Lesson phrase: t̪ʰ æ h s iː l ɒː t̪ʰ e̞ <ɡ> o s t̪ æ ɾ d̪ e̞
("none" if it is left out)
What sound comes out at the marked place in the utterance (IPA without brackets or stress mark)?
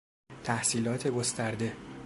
ɡ